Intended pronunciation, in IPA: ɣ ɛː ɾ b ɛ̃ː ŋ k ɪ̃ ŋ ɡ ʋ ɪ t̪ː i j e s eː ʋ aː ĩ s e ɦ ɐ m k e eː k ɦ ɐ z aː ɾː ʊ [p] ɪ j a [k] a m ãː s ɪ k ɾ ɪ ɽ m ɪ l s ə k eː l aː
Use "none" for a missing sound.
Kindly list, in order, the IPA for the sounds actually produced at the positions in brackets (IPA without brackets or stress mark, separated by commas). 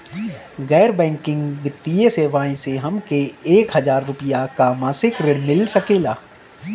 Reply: p, k